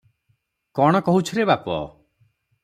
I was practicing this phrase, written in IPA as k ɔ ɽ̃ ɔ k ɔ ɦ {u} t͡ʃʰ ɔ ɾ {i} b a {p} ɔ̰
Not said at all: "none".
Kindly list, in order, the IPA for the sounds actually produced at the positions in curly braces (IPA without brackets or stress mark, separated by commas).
u, e, p